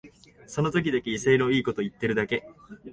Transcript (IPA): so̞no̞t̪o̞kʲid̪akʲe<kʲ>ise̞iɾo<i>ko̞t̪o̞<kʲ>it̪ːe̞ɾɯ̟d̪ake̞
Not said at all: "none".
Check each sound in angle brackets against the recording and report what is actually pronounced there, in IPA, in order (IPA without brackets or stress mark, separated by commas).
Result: none, iː, none